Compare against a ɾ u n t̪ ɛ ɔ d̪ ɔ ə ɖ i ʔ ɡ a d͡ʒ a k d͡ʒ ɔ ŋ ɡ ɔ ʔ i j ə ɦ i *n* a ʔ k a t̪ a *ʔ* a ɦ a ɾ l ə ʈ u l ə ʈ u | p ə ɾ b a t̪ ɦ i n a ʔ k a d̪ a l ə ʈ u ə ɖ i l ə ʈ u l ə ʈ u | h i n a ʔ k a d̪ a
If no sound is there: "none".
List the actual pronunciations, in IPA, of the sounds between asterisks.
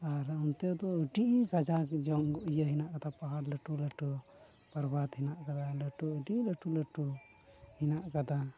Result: n, p

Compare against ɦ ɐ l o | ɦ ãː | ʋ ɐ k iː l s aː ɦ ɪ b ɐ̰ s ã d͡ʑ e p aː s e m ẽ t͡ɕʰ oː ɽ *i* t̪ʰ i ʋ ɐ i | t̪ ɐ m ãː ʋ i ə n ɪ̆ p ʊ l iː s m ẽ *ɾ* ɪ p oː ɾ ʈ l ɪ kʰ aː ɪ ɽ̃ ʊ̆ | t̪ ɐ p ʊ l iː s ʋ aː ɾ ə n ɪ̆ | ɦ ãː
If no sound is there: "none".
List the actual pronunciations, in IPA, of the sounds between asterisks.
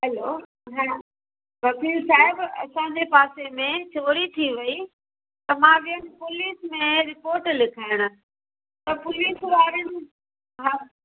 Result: i, ɾ

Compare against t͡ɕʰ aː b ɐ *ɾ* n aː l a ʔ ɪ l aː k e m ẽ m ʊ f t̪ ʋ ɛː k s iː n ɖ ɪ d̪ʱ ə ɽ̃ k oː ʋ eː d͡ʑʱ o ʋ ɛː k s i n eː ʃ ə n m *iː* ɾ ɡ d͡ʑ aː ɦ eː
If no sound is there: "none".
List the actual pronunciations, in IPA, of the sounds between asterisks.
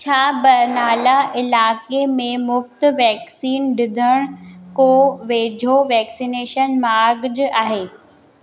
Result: ɾ, aː

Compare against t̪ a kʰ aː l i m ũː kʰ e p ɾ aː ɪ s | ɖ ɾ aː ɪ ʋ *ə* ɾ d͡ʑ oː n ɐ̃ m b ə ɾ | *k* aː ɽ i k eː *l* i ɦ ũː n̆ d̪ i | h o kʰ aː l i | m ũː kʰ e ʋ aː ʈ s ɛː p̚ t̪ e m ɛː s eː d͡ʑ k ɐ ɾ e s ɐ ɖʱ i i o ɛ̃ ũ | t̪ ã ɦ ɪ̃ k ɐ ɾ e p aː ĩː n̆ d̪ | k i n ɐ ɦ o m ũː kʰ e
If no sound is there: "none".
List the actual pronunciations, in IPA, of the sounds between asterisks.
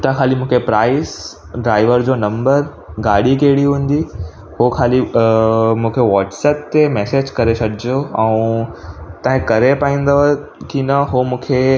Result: ə, ɡ, ɽ

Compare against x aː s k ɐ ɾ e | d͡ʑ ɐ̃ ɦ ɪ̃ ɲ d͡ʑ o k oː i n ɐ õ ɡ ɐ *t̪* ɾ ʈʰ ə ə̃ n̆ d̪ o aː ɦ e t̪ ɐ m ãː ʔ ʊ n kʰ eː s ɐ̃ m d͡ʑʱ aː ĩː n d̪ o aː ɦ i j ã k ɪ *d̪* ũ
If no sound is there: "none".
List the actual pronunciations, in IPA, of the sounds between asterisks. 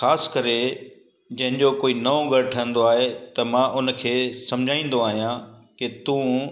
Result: none, t̪

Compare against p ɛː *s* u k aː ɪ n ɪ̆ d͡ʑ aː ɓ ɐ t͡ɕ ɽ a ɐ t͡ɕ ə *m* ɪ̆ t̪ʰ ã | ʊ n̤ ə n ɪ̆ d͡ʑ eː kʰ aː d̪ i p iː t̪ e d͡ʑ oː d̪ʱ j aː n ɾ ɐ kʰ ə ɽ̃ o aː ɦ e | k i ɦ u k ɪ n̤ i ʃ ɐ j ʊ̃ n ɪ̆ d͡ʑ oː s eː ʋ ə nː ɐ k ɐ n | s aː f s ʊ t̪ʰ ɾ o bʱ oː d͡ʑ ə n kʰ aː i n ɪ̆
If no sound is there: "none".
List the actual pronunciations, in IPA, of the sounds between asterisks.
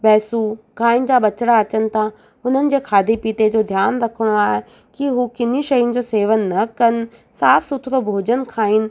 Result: s, n

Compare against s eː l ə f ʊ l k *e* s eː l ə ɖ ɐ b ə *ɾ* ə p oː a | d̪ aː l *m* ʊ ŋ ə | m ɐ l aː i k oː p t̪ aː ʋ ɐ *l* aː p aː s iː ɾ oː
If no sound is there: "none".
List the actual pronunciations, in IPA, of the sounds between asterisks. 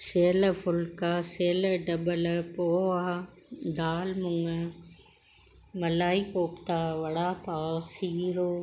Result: a, l, m, ɽ

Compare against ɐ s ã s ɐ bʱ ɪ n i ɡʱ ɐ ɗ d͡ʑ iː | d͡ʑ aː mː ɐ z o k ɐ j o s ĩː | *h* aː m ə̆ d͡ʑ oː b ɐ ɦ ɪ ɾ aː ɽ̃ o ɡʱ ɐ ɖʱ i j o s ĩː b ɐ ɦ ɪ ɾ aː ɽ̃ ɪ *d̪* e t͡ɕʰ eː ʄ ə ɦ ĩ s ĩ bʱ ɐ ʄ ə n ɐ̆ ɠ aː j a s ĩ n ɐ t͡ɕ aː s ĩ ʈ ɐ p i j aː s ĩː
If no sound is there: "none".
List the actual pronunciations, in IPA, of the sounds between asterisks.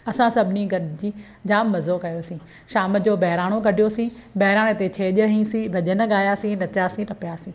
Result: ʃ, t̪

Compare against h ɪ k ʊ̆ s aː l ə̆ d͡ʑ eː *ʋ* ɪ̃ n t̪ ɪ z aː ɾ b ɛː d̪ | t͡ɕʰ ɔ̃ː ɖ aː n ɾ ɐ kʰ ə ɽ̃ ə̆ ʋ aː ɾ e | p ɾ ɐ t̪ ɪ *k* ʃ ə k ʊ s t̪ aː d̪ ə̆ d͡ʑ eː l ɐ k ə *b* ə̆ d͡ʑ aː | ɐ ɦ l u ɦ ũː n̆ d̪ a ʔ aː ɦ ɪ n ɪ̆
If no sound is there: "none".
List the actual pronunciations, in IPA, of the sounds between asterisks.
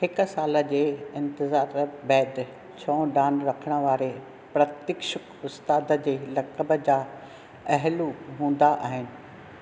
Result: none, k, b

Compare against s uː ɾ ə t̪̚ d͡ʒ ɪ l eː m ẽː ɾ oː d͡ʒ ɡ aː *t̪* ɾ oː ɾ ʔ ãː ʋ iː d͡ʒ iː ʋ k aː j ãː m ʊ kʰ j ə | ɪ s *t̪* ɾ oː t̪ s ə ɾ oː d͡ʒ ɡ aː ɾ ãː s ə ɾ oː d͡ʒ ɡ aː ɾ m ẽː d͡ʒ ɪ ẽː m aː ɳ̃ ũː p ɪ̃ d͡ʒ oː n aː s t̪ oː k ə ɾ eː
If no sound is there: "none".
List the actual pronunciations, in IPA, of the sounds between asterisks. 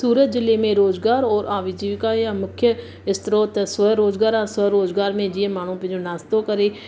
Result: none, t̪

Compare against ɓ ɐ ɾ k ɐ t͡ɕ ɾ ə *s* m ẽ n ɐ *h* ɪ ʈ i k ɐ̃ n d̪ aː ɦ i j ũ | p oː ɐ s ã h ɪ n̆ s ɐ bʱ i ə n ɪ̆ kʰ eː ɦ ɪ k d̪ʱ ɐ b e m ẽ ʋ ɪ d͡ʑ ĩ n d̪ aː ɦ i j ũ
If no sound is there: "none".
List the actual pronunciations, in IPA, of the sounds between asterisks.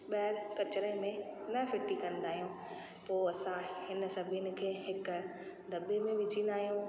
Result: none, f

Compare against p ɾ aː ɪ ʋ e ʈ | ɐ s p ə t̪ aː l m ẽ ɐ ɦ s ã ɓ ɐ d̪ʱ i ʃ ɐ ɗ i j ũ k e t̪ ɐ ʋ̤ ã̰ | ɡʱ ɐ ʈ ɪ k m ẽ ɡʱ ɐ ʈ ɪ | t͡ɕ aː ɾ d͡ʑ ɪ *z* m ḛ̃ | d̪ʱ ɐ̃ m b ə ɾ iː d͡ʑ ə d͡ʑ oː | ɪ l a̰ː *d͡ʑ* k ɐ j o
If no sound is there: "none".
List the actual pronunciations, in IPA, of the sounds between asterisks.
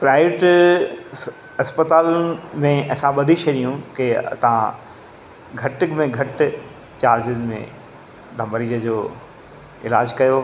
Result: z, d͡ʑ

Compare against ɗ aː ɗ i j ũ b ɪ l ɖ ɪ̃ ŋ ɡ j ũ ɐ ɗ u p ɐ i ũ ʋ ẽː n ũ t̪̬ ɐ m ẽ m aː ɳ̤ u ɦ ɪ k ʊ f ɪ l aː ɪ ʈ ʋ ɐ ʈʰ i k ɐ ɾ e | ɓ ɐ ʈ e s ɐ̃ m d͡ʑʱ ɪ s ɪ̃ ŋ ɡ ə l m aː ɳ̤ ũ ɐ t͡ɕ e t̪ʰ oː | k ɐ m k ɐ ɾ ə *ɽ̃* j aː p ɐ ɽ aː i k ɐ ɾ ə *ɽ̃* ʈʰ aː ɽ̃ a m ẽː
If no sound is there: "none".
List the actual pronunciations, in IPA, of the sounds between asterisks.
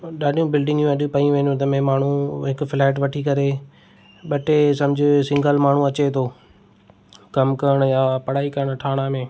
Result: ɽ̃, ɽ̃

